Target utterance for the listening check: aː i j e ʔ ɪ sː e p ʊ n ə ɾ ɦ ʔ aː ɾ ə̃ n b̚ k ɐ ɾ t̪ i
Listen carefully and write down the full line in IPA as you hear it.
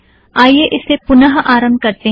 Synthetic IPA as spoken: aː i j e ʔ ɪ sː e p ʊ n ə ɦ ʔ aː ɾ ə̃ m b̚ k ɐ ɾ t̪ e